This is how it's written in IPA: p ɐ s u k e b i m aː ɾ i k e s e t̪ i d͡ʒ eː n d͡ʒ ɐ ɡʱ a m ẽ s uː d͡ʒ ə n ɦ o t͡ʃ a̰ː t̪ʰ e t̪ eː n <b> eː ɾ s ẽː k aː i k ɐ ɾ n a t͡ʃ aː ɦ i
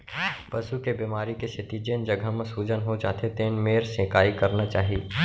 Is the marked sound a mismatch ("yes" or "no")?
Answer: yes